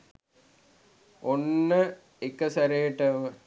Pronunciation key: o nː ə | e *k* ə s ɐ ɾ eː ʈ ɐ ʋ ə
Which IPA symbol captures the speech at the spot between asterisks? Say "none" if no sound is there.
k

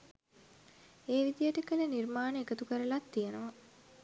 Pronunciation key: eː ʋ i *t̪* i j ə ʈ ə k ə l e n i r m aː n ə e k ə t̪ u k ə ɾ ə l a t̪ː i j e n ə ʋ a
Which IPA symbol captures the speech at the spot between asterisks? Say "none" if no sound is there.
d̪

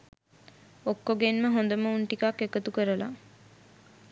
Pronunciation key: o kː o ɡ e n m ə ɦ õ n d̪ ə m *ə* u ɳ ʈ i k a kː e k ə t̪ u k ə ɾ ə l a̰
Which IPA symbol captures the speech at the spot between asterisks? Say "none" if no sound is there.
ə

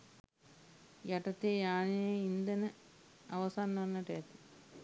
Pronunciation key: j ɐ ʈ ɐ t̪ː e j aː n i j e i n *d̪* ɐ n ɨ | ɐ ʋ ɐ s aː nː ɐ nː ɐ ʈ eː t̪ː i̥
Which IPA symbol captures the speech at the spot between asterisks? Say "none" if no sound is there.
d̪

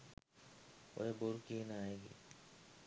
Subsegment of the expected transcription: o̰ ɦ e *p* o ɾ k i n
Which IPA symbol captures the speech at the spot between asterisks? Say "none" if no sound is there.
b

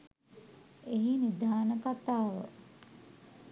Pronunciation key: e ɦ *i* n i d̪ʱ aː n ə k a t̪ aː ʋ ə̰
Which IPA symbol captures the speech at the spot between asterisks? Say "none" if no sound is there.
i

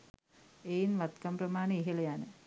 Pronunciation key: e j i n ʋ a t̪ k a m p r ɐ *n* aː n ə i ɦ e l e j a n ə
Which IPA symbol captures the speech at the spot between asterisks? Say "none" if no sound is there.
m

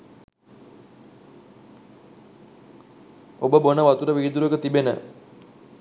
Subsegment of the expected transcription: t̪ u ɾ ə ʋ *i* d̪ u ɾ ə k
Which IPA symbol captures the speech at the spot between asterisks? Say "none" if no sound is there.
iː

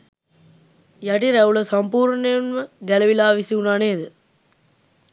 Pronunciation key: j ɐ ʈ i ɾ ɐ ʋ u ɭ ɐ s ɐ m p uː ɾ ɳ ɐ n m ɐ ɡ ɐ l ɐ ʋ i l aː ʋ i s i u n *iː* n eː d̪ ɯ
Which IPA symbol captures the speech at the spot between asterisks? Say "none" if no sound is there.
aː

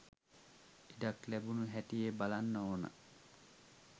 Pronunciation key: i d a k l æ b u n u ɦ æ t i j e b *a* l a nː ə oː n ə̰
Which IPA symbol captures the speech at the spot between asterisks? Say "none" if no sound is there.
a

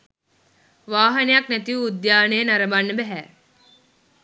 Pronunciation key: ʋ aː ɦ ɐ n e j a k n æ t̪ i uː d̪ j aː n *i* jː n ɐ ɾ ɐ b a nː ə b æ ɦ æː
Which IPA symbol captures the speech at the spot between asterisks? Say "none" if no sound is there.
e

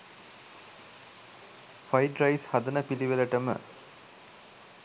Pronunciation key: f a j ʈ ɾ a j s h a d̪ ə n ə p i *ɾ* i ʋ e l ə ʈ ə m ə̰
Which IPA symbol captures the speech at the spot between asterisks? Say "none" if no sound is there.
l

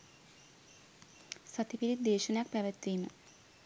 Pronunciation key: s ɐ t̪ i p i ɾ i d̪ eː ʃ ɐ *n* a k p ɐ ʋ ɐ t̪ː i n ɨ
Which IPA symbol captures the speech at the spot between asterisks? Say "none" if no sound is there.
n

